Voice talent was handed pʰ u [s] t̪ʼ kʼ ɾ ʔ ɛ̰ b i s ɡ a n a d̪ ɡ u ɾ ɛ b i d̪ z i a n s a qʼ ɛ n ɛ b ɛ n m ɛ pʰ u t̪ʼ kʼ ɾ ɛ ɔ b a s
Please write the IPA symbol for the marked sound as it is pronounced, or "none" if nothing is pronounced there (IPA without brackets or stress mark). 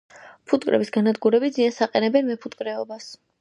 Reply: none